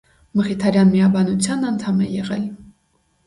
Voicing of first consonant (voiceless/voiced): voiced